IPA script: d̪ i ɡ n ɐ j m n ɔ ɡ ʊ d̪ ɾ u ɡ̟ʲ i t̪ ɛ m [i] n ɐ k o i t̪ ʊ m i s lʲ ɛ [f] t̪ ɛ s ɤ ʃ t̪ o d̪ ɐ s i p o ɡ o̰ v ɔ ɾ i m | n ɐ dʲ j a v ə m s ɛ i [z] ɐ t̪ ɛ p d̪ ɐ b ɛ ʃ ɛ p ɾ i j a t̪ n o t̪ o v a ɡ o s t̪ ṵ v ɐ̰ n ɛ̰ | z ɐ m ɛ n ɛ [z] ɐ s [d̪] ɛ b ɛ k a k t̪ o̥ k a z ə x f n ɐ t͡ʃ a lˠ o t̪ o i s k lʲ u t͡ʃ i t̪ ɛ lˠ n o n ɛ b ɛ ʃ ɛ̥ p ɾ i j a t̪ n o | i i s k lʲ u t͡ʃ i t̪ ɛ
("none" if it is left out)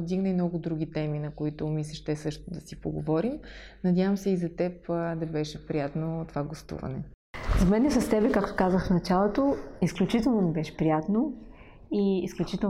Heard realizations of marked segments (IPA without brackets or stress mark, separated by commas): i, ʃ, z, s, t̪